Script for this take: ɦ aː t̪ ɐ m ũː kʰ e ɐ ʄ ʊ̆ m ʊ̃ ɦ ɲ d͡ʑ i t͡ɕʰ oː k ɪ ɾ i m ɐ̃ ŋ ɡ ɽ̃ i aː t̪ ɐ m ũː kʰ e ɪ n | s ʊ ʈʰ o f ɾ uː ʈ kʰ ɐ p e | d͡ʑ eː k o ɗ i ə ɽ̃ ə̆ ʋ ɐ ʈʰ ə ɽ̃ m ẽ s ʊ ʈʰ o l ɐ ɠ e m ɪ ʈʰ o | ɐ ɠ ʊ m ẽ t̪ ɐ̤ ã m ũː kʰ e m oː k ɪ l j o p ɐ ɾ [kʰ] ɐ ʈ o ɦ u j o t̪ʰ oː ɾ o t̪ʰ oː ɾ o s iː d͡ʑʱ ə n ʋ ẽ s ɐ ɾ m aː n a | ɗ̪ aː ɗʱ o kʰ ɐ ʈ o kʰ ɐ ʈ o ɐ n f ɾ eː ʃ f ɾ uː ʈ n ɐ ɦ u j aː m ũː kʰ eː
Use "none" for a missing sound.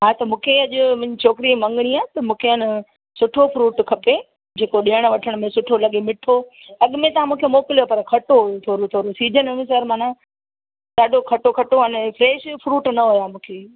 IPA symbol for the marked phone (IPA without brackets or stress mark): kʰ